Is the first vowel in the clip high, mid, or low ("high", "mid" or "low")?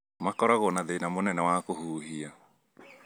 low